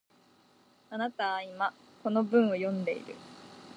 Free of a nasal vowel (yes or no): no